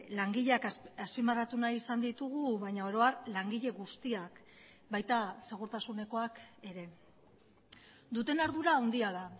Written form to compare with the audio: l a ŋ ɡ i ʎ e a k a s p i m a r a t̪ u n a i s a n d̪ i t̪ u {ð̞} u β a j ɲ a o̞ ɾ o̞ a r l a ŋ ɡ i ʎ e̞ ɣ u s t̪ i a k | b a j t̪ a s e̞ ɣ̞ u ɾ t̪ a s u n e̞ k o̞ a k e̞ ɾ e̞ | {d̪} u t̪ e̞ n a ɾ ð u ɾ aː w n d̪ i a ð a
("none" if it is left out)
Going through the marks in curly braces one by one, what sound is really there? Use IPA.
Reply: ɣ̞, d̪

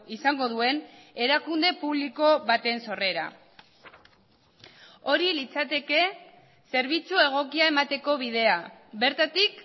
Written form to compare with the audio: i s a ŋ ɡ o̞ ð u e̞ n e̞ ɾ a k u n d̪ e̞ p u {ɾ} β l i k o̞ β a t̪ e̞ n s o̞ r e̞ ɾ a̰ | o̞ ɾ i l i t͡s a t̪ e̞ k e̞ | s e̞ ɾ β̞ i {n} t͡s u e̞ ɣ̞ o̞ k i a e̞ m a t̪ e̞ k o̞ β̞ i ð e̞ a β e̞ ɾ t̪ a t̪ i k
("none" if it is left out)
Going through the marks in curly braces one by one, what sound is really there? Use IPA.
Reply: none, none

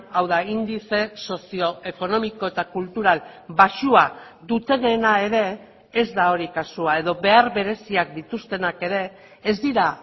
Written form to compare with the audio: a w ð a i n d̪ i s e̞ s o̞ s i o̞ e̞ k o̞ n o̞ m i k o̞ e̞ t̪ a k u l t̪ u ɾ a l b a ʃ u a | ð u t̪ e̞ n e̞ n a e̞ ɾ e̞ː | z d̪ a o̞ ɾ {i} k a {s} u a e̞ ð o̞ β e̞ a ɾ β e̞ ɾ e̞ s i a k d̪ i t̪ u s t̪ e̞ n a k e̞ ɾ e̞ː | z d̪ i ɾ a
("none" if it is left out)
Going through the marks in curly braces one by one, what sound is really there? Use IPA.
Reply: i, s

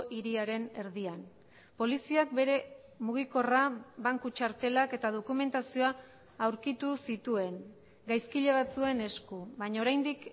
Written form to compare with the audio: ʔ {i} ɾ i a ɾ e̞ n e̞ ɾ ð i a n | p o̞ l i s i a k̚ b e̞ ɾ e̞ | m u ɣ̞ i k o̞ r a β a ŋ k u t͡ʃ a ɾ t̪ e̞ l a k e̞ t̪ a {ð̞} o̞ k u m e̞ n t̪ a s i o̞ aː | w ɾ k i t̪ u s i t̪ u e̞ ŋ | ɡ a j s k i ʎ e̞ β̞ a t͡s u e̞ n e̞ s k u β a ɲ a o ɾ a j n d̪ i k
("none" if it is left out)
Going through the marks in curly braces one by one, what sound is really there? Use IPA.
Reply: i, ð̞

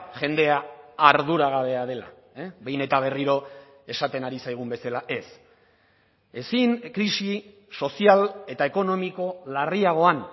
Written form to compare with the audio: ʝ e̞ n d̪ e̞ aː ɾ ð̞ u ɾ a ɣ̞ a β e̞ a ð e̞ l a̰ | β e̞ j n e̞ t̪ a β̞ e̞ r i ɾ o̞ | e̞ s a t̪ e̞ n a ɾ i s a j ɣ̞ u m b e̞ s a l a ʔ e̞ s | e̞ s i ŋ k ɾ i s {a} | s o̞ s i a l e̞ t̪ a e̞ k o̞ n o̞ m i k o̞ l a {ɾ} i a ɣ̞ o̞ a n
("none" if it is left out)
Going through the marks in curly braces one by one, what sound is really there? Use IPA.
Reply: i, r

